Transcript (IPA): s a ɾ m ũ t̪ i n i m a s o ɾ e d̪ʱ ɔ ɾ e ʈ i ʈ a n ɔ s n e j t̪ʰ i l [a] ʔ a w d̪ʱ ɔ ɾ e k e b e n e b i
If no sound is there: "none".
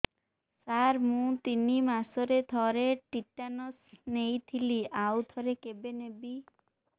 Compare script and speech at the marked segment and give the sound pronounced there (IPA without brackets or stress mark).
i